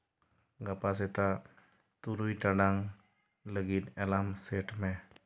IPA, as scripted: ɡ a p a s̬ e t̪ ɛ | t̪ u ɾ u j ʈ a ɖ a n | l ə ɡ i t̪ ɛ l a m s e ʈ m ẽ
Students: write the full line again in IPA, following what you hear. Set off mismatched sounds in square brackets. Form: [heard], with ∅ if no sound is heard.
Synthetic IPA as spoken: ɡ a p a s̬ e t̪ [a] | t̪ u ɾ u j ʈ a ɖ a [ŋ] | l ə ɡ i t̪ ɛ l a m s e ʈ m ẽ